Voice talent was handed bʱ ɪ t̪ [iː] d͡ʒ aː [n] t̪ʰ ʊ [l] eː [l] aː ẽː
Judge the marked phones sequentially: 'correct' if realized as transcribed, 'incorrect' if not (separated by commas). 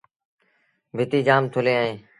correct, incorrect, correct, incorrect